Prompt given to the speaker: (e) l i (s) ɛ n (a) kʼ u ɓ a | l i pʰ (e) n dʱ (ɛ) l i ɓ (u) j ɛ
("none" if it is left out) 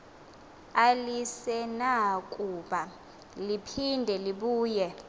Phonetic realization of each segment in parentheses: a, s, a, i, ɛ, uː

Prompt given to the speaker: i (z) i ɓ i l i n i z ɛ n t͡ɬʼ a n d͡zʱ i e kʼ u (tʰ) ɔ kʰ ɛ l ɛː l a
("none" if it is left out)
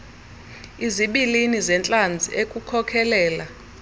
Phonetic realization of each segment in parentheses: z, kʰ

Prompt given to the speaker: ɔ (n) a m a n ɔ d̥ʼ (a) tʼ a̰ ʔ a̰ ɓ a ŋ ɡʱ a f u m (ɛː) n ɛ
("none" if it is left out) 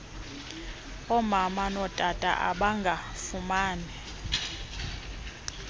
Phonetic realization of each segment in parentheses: m, a, aː

